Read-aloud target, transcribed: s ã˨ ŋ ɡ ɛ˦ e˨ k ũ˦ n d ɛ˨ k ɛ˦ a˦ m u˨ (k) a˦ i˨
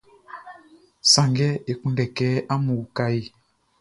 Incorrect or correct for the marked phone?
correct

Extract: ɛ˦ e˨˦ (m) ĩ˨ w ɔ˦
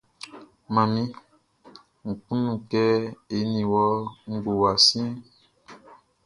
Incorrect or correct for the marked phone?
incorrect: n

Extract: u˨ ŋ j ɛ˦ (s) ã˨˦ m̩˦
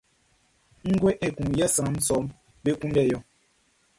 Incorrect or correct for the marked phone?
correct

